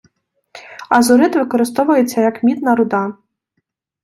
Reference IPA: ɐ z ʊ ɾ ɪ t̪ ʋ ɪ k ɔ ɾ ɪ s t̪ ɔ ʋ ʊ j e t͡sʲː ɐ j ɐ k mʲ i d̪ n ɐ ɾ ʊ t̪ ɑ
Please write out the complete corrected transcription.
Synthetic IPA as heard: ɐ z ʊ ɾ ɪ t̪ ʋ ɪ k ɔ ɾ ɪ s t̪ ɔ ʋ ʊ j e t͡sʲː ɐ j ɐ k mʲ i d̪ n ɐ ɾ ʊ d̪ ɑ

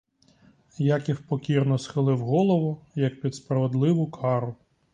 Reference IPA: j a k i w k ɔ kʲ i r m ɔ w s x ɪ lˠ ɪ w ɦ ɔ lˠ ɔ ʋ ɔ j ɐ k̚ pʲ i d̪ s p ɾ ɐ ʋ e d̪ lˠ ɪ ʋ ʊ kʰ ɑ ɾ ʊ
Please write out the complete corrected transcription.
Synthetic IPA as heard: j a k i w p ɔ kʲ i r n ɔ s x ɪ lˠ ɪ w ɦ ɔ lˠ ɔ ʋ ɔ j ɐ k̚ pʲ i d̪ s p ɾ ɐ ʋ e d̪ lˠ ɪ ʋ ʊ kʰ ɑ ɾ ʊ

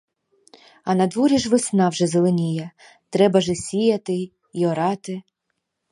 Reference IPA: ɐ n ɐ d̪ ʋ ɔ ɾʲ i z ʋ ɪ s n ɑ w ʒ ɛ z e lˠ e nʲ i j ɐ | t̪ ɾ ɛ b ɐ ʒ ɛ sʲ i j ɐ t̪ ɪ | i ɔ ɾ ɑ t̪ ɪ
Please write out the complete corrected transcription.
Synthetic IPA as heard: ɐ n ɐ d̪ ʋ ɔ ɾʲ i ʒ ʋ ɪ s n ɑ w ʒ ɛ z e lˠ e nʲ i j ɐ | t̪ ɾ ɛ b ɐ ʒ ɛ sʲ i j ɐ t̪ ɪ | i ɔ ɾ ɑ t̪ ɪ

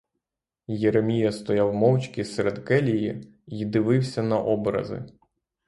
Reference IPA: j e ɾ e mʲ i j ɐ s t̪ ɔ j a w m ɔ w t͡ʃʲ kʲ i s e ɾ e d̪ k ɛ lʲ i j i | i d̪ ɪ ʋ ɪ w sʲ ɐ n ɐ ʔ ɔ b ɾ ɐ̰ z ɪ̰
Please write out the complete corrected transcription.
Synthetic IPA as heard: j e ɾ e mʲ i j ɐ s t̪ ɔ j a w m ɔ w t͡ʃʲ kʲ i s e ɾ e d̪ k ɛ lʲ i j i | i d̪ ɪ ʋ ɪ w sʲ ɐ n ɐ ʔ ɔ b ɾ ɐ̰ z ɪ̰

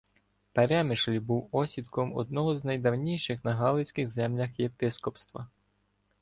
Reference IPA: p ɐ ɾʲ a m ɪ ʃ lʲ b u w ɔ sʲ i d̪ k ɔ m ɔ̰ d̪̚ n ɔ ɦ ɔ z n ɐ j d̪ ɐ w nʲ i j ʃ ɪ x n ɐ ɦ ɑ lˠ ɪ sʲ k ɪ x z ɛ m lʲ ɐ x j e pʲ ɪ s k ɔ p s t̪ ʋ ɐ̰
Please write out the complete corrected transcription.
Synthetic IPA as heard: p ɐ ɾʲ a m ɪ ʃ lʲ b u w ɔ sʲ i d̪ k ɔ m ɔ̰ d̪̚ n ɔ ɦ ɔ z n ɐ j d̪ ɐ w nʲ i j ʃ ɪ x n ɐ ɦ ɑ lˠ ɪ sʲ k ɪ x z ɛ m lʲ ɐ x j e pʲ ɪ s k ɔ p s t̪ ʋ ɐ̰

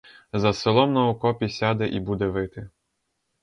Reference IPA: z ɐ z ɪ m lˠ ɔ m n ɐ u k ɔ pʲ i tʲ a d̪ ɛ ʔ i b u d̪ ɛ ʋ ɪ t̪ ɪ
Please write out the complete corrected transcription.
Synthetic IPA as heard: z ɐ s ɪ lˠ ɔ m n ɐ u k ɔ pʲ i sʲ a d̪ ɛ ʔ i b u d̪ ɛ ʋ ɪ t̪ ɪ

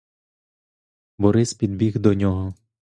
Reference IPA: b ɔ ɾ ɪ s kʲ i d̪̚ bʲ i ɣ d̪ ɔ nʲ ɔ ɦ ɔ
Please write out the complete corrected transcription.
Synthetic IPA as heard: b ɔ ɾ ɪ s pʲ i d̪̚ bʲ i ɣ d̪ ɔ nʲ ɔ ɦ ɔ

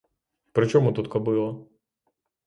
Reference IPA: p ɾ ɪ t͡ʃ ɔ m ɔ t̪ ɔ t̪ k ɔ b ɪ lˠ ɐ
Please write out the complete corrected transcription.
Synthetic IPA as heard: p ɾ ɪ t͡ʃ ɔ m u t̪ u t̪ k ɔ b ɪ lˠ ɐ

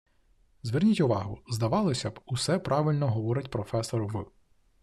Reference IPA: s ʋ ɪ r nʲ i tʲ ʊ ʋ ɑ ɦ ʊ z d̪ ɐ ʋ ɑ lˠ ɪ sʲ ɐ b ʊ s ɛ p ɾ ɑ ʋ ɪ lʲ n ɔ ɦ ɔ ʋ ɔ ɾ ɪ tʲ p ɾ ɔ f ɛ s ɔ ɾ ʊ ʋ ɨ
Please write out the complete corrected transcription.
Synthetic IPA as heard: z ʋ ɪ r nʲ i tʲ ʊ ʋ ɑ ɦ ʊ z d̪ ɐ ʋ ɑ lˠ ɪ sʲ ɐ b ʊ s ɛ p ɾ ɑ ʋ ɪ lʲ n ɔ ɦ ɔ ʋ ɔ ɾ ɪ tʲ p ɾ ɔ f ɛ s ɔ ɾ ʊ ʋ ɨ

